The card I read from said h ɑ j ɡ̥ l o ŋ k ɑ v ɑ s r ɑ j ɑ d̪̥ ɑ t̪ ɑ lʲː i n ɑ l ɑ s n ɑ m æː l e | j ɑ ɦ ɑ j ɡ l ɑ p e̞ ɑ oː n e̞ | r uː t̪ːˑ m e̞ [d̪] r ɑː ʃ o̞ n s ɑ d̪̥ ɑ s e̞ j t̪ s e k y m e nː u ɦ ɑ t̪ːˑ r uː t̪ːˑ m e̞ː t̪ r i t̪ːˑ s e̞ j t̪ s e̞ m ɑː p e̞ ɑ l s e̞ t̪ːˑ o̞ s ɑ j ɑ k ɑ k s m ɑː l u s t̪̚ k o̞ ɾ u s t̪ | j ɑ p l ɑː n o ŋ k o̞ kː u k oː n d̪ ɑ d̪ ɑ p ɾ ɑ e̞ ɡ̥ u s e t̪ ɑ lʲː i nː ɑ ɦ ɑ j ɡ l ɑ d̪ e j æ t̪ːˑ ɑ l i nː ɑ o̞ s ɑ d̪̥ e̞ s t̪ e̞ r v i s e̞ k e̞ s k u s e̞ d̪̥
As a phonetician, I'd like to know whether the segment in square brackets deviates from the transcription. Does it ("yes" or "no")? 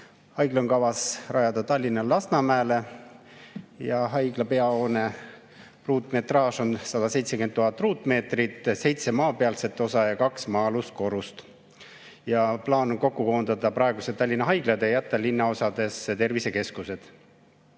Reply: yes